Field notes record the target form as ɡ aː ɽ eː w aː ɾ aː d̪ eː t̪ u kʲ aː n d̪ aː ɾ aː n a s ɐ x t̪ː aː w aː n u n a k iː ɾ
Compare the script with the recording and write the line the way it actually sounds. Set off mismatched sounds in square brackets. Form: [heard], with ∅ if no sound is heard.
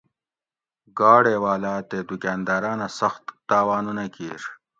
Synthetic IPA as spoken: ɡ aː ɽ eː w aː [l] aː [t̪] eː [d̪] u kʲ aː n d̪ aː ɾ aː n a s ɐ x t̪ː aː w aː n u n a k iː ɾ